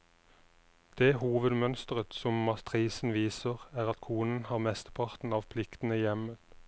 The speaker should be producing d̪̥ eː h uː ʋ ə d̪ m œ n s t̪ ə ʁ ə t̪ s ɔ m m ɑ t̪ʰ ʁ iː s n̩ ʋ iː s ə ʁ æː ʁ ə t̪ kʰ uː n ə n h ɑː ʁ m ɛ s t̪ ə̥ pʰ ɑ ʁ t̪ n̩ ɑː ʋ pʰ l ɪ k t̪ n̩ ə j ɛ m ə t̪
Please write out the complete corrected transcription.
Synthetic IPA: d̪̥ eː h uː ʋ ə d̪ m œ n s t̪ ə ʁ ə t̪ s ɔ m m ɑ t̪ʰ ʁ iː s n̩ ʋ iː s ə ʁ æː ʁ ɑ t̪ kʰ uː n ə n h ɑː ʁ m ɛ s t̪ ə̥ pʰ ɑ ʁ t̪ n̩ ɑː ʋ pʰ l ɪ k t̪ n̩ ə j ɛ m ə t̪